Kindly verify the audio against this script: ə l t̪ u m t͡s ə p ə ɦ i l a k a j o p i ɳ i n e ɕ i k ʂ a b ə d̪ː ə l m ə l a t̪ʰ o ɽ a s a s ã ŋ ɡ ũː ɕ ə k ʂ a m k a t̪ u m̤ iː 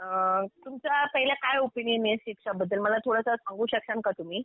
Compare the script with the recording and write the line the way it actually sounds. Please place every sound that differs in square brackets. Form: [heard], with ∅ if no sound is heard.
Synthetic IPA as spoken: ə [∅] t̪ u m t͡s [a] p ə ɦ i l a k a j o p i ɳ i n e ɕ i k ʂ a b ə d̪ː ə l m ə l a t̪ʰ o ɽ a s a s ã ŋ ɡ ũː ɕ ə k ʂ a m k a t̪ u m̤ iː